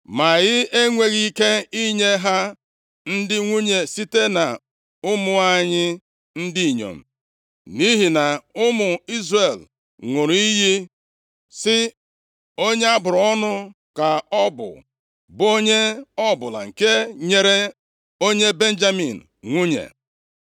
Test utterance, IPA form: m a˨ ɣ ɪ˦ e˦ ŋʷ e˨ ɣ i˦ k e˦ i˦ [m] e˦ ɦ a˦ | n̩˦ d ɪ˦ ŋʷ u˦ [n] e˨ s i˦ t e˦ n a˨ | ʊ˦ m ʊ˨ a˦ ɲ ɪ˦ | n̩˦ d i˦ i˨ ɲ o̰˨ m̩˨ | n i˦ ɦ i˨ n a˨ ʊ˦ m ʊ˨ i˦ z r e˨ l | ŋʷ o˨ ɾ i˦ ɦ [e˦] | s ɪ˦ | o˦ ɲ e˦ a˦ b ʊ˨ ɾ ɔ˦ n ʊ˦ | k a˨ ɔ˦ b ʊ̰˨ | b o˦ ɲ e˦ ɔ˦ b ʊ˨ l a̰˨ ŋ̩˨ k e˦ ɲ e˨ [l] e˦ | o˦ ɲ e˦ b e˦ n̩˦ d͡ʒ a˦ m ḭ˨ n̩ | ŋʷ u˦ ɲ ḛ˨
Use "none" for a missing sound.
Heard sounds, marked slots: ɲ, ɲ, i˦, ɾ

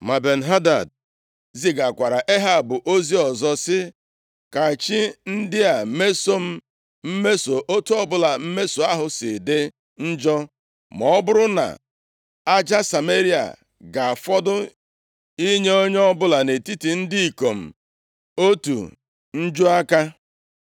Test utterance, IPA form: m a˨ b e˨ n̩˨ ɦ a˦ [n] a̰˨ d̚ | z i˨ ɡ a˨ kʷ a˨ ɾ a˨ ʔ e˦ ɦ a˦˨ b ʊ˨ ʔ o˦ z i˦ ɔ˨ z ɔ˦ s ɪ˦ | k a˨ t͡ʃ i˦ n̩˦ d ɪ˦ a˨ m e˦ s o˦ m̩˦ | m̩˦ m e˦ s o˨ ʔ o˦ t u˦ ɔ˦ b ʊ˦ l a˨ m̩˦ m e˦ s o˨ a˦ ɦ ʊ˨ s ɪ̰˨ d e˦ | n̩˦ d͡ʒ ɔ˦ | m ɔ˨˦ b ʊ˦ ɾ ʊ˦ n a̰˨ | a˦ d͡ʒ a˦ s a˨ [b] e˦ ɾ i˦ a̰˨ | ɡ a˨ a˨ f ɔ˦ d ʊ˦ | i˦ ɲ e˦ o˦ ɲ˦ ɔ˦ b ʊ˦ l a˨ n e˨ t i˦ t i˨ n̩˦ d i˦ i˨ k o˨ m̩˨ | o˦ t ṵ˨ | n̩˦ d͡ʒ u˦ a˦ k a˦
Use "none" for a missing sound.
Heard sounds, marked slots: d, m

